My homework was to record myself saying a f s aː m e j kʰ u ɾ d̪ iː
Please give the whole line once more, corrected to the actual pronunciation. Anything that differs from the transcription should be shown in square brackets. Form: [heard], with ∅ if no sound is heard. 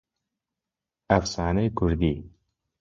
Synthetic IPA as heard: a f s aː [n] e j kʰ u ɾ d̪ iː